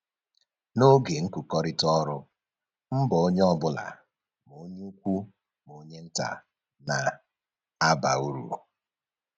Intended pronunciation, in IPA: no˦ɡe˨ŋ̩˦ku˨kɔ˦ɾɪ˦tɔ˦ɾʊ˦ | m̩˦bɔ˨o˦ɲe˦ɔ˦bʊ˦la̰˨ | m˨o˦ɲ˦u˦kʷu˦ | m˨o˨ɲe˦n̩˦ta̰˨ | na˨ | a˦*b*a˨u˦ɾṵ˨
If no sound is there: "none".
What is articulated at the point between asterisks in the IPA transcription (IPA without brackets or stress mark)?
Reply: b